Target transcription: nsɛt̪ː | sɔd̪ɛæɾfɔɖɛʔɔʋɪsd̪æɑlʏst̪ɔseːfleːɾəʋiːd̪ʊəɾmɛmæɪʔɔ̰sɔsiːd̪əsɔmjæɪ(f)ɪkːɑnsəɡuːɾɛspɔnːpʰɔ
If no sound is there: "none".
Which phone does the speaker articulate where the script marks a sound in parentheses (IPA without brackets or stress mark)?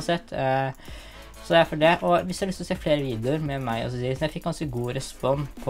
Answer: f